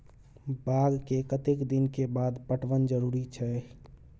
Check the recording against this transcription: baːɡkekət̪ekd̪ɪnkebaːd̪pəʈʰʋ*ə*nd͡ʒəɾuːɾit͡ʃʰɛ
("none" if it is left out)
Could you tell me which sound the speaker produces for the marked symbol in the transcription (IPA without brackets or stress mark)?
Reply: ə